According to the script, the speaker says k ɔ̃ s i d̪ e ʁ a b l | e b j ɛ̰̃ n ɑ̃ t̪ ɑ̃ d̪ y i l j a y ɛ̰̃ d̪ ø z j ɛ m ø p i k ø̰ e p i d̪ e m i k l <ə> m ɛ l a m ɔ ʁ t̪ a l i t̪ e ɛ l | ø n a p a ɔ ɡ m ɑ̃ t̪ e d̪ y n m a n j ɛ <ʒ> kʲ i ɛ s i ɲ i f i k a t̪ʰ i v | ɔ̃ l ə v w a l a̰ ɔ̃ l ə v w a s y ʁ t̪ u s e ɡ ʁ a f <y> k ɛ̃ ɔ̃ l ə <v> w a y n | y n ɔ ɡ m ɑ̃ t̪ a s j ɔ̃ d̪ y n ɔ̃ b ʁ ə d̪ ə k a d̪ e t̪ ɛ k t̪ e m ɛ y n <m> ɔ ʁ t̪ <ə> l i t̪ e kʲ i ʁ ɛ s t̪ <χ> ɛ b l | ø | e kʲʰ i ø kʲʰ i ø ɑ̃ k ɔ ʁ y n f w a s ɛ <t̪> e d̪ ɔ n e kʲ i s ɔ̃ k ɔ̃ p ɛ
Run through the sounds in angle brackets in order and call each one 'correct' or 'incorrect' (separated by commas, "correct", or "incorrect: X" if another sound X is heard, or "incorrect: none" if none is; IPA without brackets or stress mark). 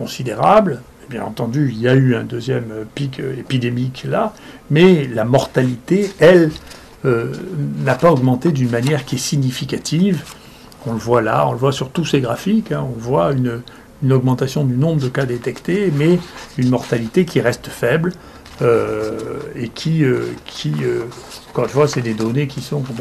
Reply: incorrect: a, incorrect: ʁ, incorrect: i, correct, correct, incorrect: a, incorrect: f, incorrect: d̪